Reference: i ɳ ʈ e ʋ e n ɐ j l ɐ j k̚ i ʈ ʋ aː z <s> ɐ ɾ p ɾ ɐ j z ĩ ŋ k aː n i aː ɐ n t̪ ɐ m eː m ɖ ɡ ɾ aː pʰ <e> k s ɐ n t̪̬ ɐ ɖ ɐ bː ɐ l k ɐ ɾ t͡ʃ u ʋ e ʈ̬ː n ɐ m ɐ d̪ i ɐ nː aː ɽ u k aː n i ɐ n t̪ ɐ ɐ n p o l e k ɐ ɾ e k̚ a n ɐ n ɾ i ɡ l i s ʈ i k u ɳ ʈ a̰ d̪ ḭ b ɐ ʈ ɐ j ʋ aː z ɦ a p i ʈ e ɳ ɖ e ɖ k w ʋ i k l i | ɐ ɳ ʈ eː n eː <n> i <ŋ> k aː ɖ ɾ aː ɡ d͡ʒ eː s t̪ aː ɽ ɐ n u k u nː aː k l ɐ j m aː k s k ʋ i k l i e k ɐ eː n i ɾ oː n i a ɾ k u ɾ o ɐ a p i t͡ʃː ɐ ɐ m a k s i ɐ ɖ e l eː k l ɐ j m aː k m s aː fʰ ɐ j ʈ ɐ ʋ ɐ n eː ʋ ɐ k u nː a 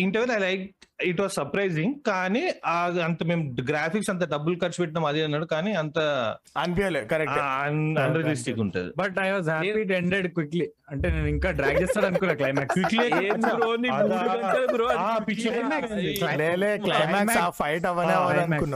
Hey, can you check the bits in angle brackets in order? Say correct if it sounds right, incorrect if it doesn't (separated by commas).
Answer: correct, incorrect, correct, correct